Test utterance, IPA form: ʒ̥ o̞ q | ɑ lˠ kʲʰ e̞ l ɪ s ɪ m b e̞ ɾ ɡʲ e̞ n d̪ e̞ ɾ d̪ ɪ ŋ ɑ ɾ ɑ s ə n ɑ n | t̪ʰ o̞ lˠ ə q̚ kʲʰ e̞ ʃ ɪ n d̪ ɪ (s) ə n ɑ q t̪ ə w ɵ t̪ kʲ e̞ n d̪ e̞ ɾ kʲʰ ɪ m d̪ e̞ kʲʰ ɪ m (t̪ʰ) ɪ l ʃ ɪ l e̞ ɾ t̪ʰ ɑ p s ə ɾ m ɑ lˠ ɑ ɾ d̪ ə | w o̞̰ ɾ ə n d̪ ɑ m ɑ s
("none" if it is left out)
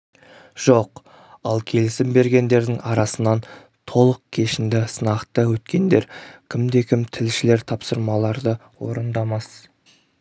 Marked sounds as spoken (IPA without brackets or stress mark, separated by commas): s, t̪ʰ